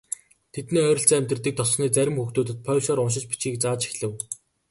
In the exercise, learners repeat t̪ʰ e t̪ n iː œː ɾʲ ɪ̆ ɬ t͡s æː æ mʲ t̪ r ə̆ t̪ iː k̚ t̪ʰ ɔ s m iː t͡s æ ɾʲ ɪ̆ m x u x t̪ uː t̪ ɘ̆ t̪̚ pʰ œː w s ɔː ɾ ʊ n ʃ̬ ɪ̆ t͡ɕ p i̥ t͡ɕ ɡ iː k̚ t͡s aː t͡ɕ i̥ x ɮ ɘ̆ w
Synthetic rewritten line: t̪ʰ e t̪ n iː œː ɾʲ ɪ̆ ɬ t͡s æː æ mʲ t̪ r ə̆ t̪ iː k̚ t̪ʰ ɔ s n iː t͡s æ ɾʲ ɪ̆ m x u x t̪ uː t̪ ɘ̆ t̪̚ pʰ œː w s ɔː ɾ ʊ n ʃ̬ ɪ̆ t͡ɕ p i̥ t͡ɕ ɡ iː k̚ t͡s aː t͡ɕ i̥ x ɮ ɘ̆ w